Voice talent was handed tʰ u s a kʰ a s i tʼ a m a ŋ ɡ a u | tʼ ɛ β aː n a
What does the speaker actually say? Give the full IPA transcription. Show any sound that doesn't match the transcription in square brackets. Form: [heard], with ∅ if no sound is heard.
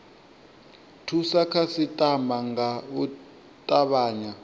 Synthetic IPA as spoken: tʰ u s a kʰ a s i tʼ a m a ŋ ɡ a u | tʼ [a] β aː [ɲ] a